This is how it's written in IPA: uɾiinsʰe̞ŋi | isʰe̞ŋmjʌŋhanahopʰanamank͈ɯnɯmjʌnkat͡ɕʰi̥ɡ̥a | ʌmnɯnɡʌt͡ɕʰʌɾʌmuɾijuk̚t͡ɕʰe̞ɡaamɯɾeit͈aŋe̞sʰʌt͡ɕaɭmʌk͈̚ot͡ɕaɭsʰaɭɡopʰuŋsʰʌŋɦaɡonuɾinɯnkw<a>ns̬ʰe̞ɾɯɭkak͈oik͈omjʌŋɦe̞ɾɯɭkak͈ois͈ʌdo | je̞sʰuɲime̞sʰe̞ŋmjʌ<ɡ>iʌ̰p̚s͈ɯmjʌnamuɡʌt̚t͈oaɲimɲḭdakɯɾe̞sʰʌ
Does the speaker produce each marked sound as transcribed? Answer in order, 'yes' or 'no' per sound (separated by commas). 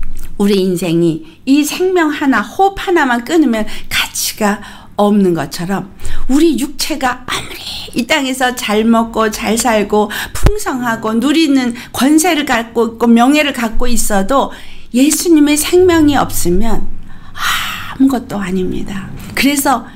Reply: no, no